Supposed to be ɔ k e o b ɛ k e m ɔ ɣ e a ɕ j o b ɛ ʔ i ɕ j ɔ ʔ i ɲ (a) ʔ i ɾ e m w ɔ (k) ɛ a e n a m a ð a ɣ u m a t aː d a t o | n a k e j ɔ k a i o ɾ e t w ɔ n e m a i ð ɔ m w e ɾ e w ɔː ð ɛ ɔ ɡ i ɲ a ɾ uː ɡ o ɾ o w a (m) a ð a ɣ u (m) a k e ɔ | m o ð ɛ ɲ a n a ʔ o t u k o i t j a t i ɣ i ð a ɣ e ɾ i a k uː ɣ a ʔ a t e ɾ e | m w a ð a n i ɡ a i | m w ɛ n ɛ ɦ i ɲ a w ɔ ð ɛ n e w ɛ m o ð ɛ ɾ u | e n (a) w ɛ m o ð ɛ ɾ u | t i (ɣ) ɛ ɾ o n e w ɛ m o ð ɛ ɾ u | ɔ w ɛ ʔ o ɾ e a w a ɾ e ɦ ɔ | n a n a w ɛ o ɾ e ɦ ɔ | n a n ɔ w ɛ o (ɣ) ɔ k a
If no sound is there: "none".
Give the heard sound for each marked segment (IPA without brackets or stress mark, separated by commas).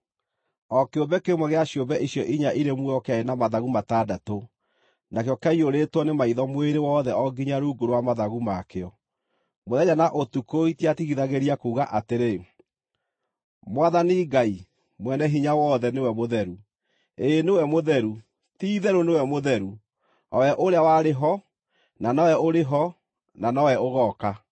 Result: a, k, m, m, e, ð, ɣ